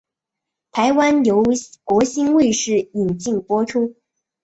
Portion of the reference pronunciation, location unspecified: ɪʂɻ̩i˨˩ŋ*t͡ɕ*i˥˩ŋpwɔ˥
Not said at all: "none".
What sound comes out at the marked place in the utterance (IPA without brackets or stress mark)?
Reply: t͡ɕ